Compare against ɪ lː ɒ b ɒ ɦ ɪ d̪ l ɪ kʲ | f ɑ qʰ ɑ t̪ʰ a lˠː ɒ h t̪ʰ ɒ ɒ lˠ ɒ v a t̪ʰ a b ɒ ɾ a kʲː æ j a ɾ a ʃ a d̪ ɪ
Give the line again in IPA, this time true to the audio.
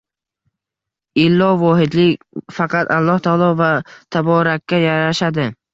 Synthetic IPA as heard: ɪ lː ɒ v ɒ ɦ ɪ d̪ l ɪ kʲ | f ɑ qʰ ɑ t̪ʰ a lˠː ɒ h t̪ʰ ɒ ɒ lˠ ɒ v a t̪ʰ a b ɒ ɾ a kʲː a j a ɾ a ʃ a d̪ ɪ